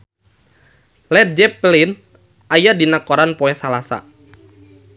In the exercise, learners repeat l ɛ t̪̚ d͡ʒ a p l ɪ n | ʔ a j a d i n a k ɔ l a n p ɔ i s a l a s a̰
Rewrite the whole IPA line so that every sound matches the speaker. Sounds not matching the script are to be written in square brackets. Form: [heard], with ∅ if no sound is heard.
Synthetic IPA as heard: l ɛ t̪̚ d͡ʒ [ɛ] p l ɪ n | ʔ a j a d i n a k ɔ [ɾ] a n p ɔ [ɛ] s a l a s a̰

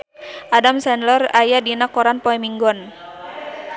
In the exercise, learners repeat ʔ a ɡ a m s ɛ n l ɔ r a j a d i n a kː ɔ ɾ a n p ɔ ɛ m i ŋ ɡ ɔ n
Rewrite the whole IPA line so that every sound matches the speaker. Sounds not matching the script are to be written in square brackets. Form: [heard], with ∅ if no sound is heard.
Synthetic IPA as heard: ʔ a [d] a m s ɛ n l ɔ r a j a d i n a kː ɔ ɾ a n p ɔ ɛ m i ŋ ɡ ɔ n

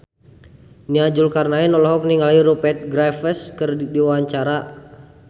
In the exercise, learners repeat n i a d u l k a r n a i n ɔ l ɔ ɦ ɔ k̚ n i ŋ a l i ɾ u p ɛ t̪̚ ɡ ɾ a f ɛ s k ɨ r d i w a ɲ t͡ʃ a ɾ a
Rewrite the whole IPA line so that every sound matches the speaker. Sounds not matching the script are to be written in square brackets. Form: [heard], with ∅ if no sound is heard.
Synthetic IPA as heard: n i a [d͡ʒ] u l k a r n a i n ɔ l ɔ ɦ ɔ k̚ n i ŋ a l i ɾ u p ɛ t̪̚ ɡ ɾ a f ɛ s k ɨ r d i w a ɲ t͡ʃ a ɾ a

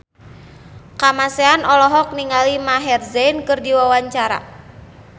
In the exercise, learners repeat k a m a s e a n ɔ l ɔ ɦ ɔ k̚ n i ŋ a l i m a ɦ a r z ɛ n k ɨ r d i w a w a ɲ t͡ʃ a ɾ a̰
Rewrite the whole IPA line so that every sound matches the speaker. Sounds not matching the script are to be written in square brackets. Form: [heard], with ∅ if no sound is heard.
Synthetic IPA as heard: k a m a s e a n ɔ l ɔ ɦ ɔ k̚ n i ŋ a l i m a ɦ [ɛ] r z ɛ n k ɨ r d i w a w a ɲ t͡ʃ a ɾ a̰

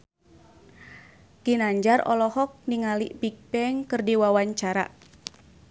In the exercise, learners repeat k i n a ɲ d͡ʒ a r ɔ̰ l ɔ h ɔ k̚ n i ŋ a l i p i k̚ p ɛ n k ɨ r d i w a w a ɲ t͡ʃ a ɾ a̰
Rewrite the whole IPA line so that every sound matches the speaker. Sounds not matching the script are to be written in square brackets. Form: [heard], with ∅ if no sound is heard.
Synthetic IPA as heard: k i n a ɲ d͡ʒ a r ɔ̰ l ɔ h ɔ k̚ n i ŋ a l i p i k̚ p ɛ [ŋ] k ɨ r d i w a w a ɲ t͡ʃ a ɾ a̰

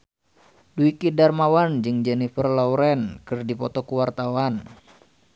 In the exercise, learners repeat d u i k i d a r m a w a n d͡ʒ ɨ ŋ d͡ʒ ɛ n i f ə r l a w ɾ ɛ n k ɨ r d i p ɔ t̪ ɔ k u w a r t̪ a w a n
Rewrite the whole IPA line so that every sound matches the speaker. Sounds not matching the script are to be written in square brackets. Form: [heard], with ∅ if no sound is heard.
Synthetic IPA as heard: d u i k i d a r m a w a n d͡ʒ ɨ ŋ d͡ʒ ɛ n i f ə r l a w ɾ ɛ n k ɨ r d i p ɔ t̪ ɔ k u w a r t̪ a w a n

